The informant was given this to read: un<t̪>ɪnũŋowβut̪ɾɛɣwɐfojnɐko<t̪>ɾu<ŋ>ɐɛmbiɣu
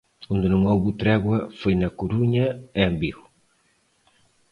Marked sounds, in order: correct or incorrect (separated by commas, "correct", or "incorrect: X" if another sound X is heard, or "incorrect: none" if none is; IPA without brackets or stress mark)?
incorrect: d̪, incorrect: none, incorrect: ɲ